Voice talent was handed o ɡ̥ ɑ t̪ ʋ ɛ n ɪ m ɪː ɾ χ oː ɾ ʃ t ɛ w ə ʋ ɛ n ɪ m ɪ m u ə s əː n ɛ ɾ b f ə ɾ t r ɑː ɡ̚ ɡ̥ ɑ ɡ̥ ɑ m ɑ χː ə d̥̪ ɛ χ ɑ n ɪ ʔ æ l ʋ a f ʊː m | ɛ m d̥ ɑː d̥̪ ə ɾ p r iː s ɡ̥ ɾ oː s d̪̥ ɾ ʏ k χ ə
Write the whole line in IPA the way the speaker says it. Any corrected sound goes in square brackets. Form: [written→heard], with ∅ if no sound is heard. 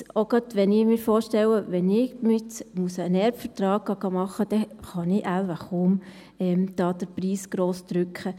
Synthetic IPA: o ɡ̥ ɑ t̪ ʋ ɛ n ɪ m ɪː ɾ [χ→f] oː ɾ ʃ t ɛ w ə ʋ ɛ n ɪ m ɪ m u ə s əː n ɛ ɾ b f ə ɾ t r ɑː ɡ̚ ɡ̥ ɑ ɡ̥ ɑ m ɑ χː ə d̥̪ ɛ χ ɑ n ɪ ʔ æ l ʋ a [f→χ] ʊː m | ɛ m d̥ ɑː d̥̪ ə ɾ p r iː s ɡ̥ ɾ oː s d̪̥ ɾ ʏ k χ ə

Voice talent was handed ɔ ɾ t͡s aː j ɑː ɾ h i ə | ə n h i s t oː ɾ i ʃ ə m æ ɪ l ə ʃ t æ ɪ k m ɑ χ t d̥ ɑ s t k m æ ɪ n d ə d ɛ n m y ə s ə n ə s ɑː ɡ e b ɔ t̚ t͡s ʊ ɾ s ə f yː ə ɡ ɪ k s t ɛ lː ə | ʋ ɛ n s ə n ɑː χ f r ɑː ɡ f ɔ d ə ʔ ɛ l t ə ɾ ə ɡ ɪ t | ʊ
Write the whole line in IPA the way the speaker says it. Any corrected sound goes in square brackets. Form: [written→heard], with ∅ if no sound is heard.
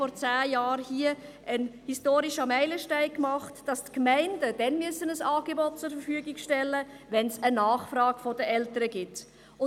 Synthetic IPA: ɔ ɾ t͡s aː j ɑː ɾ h i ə | ə n h i s t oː ɾ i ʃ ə m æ ɪ l ə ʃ t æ ɪ k m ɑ χ t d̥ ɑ s t k m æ ɪ n d ə d ɛ n m y ə s ə n ə s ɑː ɡ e b ɔ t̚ t͡s ʊ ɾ [s→f] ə f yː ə ɡ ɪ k [s→ʃ] t ɛ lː ə | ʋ ɛ n s ə n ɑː χ f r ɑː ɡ f ɔ d ə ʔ ɛ l t ə ɾ ə ɡ ɪ t | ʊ

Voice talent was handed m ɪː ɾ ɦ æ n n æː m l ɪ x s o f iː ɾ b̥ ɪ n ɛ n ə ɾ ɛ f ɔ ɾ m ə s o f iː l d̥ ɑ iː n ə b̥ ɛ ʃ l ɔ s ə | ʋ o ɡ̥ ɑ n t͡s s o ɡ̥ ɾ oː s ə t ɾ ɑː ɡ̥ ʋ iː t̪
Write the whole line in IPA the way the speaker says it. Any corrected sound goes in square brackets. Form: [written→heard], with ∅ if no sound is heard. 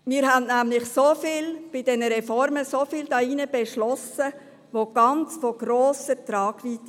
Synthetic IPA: m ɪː ɾ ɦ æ n n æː m l ɪ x s o f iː [ɾ→l] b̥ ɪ [n→d] ɛ n ə ɾ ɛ f ɔ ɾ m ə s o f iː l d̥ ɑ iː n ə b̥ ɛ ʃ l ɔ s ə | ʋ o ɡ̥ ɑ n t͡s [s→f] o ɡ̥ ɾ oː s ə t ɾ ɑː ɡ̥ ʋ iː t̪

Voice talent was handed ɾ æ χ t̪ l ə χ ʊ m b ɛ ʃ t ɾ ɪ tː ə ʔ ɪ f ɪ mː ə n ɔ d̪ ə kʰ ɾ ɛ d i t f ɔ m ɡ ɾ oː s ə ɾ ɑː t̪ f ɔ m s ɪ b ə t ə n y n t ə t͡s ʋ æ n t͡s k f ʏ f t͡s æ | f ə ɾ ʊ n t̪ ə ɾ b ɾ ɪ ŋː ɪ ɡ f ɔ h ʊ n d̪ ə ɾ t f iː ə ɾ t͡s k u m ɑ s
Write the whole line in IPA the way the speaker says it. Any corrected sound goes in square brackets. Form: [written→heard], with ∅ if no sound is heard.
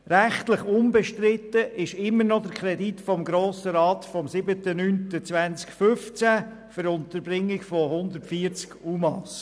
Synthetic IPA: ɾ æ χ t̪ l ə χ ʊ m b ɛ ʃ t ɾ ɪ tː ə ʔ ɪ [f→ʃ] ɪ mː ə n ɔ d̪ ə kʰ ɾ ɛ d i t f ɔ m ɡ ɾ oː s ə ɾ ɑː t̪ f ɔ m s ɪ b ə t ə n y n t ə t͡s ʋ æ n t͡s k f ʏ f t͡s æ | f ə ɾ ʊ n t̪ ə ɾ b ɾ ɪ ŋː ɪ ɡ f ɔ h ʊ n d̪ ə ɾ t f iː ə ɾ t͡s k u m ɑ s

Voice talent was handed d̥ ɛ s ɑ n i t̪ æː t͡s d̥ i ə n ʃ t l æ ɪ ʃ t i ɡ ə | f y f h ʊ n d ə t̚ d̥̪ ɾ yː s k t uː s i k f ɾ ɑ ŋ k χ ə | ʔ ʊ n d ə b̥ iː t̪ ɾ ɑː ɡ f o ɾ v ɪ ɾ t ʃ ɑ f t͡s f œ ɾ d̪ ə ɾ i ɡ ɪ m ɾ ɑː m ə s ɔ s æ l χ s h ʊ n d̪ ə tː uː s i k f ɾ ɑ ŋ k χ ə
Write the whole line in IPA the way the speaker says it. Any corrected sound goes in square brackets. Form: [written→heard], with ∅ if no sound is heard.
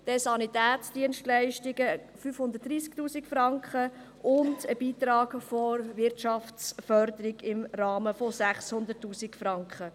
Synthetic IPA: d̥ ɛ s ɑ n i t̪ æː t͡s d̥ i ə n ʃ t l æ ɪ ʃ t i ɡ ə | f y f h ʊ n d ə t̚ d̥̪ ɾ [yː→iː] s k t uː s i k f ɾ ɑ ŋ k χ ə | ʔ ʊ n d ə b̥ iː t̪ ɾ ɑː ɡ f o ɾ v ɪ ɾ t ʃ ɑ f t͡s f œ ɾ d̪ ə ɾ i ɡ ɪ m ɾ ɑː m ə [s→f] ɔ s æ [l→∅] χ s h ʊ n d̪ ə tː uː s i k f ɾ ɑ ŋ k χ ə

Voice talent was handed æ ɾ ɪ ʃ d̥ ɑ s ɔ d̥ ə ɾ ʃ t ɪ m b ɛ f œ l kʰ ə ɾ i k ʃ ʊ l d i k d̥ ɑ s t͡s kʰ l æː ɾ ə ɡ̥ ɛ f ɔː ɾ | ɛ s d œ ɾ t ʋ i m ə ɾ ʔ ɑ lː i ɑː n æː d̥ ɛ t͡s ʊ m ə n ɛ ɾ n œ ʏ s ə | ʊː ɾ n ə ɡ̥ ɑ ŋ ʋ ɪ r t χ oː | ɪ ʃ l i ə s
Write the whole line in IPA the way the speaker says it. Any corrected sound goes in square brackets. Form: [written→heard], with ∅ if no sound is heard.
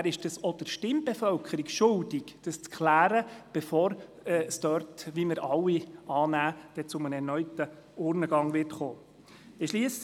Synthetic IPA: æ ɾ ɪ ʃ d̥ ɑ s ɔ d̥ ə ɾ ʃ t ɪ m b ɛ f œ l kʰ ə ɾ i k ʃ ʊ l d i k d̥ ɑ s t͡s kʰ l æː ɾ ə [ɡ̥→b̥] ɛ f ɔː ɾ | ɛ s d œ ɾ t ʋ i m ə ɾ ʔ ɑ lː i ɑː n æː d̥ ɛ t͡s ʊ m ə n ɛ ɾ n œ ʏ [s→t] ə | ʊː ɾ n ə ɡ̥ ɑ ŋ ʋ ɪ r t χ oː | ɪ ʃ l i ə s

